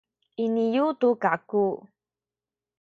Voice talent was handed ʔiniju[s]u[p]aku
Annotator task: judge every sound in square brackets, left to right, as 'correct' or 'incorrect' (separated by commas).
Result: incorrect, incorrect